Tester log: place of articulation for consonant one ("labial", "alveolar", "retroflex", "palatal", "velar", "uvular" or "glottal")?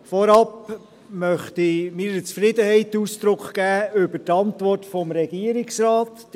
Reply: labial